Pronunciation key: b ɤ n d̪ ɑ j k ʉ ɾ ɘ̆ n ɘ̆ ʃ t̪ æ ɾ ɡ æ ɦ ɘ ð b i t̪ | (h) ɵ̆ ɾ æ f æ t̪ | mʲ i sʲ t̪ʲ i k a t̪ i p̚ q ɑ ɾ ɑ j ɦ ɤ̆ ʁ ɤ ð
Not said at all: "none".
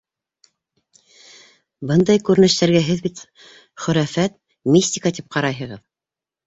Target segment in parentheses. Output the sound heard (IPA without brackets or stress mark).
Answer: χ